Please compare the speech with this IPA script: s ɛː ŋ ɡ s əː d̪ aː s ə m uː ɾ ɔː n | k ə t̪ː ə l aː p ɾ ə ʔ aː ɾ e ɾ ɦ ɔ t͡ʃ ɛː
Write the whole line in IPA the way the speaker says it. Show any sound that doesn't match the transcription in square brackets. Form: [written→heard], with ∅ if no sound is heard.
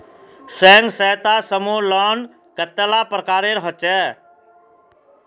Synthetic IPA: s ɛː ŋ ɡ s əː [d̪→t̪] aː s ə m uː [ɾ→l] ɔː n | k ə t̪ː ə l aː p ɾ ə [ʔ→k] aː ɾ e ɾ ɦ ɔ t͡ʃ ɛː